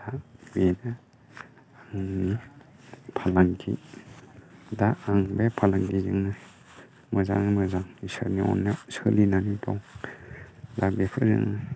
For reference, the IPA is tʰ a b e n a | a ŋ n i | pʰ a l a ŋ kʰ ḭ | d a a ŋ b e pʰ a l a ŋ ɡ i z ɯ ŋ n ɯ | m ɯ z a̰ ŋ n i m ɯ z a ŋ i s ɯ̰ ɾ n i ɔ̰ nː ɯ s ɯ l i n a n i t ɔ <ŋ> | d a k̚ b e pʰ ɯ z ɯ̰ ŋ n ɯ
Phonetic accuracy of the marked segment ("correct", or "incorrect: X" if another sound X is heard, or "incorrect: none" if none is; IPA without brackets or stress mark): correct